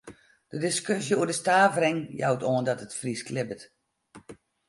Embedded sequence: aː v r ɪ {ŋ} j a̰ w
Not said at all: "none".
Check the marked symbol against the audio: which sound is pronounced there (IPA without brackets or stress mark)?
ŋ